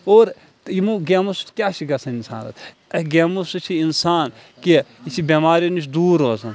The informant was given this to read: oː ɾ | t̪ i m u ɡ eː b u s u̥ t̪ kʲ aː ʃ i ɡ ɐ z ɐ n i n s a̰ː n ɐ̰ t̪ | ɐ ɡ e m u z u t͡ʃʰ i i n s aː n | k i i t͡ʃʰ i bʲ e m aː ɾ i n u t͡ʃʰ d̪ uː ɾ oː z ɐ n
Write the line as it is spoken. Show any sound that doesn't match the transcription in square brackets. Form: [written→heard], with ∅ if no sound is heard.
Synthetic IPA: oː ɾ | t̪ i m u ɡ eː [b→m] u s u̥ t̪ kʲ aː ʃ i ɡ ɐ [z→s] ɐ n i n s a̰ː n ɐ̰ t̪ | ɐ ɡ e m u [z→s] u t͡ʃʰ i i n s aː n | k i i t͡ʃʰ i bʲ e m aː ɾ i n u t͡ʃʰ d̪ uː ɾ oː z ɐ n